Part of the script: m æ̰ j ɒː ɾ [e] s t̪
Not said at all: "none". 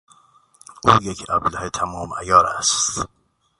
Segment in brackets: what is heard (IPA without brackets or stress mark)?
æ